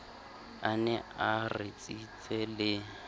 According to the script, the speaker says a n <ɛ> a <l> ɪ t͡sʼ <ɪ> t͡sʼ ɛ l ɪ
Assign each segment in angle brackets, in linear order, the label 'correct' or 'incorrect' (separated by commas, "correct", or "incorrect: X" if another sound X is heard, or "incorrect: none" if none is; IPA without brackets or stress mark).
correct, incorrect: r, incorrect: i